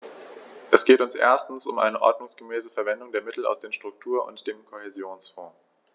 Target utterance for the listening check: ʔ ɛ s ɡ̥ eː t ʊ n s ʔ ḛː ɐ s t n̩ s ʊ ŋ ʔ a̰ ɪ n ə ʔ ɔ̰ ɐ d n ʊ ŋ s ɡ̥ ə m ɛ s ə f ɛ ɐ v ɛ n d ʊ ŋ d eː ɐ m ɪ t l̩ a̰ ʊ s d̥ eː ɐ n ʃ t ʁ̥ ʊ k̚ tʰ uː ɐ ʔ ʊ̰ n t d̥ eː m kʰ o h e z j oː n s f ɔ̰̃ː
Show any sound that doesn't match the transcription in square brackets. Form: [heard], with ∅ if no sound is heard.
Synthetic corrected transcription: ʔ ɛ s ɡ̥ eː t ʊ n s ʔ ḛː ɐ s t n̩ s ʊ [m] ʔ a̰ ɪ n ə ʔ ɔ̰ ɐ d n ʊ ŋ s ɡ̥ ə m [ɛː] s ə f ɛ ɐ v ɛ n d ʊ ŋ d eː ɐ m ɪ t l̩ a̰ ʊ s d̥ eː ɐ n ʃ t ʁ̥ ʊ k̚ tʰ uː ɐ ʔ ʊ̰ n t d̥ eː m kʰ o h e z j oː n s f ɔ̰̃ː